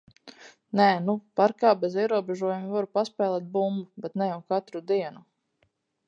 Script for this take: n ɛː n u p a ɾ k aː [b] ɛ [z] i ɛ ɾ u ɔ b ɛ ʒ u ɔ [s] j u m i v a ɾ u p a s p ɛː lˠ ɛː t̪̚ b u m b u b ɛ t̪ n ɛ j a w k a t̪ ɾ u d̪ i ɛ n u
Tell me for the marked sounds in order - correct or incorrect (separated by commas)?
correct, correct, incorrect